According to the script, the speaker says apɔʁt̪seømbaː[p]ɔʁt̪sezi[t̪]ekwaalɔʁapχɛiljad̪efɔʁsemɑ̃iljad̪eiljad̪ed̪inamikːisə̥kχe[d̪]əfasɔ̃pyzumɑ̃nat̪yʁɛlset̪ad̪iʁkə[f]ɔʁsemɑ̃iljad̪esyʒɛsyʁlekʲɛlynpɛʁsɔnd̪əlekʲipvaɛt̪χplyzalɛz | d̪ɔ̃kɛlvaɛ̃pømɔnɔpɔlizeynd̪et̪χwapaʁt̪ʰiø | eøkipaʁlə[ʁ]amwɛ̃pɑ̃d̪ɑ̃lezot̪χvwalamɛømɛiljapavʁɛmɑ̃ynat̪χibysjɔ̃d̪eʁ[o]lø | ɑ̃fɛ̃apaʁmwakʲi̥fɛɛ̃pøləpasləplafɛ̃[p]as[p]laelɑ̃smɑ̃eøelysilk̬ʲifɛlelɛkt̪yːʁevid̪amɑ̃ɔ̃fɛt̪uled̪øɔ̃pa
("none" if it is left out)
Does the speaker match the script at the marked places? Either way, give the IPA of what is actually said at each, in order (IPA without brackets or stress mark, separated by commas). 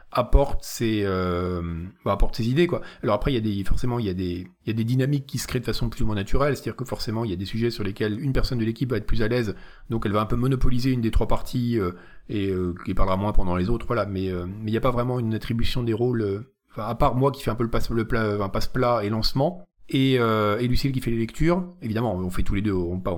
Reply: p, d̪, d̪, f, ʁ, o, p, p